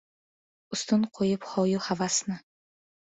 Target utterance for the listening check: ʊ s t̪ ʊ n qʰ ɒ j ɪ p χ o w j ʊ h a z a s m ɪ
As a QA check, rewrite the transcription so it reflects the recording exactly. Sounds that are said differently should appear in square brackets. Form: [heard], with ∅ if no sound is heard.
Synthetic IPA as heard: ʊ s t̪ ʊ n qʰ [o] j ɪ p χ [ɒ] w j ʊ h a [v] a s [n] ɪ